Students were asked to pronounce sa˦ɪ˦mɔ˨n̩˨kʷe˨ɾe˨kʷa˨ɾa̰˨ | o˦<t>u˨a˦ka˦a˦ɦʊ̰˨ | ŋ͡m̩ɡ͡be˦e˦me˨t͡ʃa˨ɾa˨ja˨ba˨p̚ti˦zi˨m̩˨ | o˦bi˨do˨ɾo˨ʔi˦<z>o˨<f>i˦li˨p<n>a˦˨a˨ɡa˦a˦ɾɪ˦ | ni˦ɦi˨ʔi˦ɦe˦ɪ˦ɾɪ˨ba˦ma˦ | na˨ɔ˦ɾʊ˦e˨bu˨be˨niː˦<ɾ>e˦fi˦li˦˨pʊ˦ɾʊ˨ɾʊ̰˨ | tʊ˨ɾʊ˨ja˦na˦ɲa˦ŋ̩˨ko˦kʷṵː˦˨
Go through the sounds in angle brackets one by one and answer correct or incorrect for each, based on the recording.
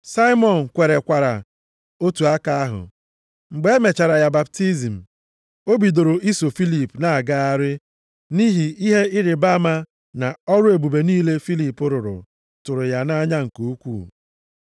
correct, incorrect: s, correct, correct, incorrect: l

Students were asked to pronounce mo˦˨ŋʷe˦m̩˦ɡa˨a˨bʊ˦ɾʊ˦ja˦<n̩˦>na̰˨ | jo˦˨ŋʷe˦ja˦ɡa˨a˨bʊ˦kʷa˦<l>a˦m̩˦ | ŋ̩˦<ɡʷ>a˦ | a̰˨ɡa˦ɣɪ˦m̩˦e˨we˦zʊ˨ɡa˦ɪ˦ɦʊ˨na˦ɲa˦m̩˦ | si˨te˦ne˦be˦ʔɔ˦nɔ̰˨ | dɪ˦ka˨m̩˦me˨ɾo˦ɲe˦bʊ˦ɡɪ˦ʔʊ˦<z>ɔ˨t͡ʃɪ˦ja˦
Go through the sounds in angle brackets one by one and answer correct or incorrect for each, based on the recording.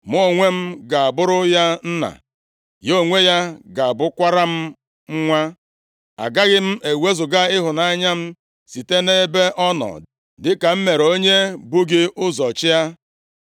correct, incorrect: ɾ, incorrect: ŋʷ, correct

